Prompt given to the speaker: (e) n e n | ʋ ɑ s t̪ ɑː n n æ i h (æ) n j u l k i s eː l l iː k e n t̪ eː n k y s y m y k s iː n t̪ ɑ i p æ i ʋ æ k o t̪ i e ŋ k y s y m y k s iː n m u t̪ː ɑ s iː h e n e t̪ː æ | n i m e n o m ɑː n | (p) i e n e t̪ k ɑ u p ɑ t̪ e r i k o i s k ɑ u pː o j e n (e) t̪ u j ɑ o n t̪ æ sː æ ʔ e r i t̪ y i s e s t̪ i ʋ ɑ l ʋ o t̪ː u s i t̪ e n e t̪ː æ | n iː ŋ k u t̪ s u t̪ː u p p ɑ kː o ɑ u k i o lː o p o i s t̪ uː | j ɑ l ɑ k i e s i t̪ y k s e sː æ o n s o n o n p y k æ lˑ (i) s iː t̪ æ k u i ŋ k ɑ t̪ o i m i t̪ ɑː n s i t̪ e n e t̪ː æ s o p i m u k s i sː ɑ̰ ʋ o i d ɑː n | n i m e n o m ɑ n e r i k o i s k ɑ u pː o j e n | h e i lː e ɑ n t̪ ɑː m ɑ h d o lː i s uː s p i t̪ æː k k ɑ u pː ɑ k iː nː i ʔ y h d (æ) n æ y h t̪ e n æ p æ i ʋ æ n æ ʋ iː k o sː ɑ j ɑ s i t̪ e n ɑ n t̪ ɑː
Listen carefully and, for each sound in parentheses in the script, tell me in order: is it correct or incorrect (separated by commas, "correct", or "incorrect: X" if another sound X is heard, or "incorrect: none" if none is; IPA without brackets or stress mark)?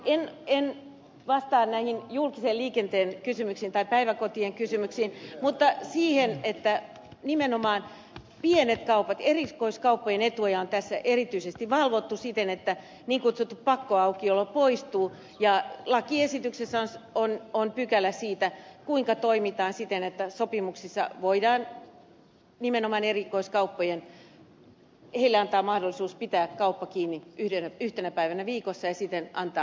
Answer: correct, incorrect: i, correct, correct, incorrect: æ, incorrect: e